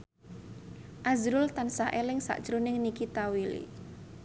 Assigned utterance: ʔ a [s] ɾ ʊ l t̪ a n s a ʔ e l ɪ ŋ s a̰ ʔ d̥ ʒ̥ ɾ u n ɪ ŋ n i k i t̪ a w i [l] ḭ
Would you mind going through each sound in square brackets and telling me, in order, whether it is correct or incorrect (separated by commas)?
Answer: incorrect, correct